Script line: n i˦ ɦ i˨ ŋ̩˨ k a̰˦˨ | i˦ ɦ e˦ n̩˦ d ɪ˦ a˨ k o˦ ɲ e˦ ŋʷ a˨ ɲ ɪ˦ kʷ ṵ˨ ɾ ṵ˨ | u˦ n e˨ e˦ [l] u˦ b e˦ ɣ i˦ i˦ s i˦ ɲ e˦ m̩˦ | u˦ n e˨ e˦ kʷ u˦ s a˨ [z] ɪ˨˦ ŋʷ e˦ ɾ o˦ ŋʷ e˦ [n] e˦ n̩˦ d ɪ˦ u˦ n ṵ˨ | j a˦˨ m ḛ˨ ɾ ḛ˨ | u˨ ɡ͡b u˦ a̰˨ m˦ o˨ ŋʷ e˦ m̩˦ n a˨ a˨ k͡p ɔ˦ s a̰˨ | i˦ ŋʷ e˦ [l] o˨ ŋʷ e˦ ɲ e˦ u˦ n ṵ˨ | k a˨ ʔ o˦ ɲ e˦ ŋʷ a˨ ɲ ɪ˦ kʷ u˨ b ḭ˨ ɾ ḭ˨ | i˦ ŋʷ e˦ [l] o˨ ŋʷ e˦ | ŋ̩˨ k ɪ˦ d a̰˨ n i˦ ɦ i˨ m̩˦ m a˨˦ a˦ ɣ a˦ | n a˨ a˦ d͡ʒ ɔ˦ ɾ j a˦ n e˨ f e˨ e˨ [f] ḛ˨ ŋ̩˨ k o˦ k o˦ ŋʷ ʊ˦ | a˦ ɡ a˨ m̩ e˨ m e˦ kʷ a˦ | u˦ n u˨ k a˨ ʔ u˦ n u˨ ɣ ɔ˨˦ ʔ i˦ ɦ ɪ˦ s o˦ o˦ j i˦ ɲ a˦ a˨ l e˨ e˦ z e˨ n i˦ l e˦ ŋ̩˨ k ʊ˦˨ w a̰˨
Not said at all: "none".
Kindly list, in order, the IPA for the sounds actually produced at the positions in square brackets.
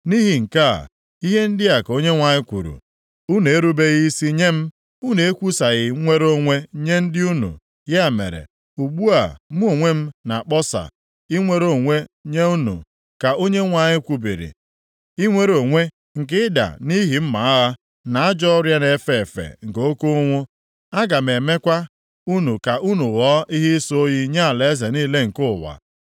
ɾ, ɣ, ɲ, ɾ, ɾ, f

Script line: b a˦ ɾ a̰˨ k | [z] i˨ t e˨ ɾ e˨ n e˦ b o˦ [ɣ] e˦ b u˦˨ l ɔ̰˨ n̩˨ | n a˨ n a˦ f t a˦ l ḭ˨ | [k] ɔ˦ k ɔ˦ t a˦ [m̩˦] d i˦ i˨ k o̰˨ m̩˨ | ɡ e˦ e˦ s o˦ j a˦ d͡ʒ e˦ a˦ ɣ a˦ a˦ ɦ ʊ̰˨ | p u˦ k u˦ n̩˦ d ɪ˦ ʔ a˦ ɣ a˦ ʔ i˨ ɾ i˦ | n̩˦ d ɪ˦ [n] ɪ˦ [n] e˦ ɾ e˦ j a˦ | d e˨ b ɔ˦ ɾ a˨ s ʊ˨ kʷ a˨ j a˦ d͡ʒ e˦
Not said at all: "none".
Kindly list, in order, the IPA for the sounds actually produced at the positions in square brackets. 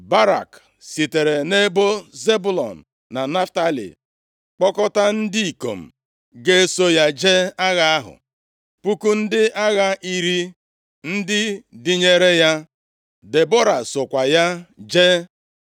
s, z, k͡p, n̩˦, d, ɲ

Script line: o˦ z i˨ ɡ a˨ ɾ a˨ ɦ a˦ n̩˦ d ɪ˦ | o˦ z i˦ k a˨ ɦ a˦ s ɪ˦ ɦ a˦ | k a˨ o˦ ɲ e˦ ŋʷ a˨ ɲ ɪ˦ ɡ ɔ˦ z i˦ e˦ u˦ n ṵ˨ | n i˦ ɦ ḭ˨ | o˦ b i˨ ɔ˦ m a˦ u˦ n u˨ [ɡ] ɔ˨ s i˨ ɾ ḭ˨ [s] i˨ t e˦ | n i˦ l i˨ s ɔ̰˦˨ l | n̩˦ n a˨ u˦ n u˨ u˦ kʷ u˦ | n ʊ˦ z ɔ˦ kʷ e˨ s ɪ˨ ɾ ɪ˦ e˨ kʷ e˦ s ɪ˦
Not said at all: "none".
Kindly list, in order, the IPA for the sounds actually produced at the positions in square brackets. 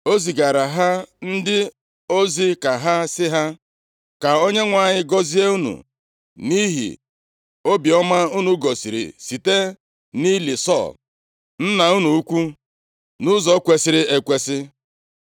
ɡ, s

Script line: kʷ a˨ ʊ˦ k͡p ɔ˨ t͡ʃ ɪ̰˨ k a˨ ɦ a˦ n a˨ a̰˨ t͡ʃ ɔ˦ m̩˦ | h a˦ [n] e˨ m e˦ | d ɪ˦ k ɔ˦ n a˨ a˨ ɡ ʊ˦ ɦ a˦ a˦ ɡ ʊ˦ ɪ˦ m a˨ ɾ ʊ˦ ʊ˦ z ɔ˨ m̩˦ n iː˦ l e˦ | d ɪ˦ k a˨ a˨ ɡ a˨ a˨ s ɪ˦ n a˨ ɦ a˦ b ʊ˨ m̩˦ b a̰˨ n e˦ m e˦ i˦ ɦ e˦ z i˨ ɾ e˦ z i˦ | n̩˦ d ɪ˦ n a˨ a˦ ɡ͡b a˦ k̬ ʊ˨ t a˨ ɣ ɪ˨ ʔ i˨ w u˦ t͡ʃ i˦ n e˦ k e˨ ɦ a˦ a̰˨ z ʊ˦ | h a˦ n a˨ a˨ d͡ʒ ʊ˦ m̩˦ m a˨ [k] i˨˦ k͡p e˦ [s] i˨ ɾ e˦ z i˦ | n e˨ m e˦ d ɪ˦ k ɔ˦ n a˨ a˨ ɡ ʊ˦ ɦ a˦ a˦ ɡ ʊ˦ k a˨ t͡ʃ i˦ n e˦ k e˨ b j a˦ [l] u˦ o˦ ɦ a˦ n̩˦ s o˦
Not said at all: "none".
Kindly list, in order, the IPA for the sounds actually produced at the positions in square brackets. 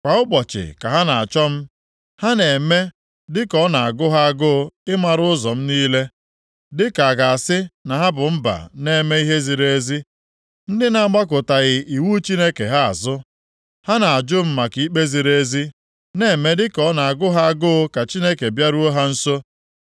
n, k, z, ɾ

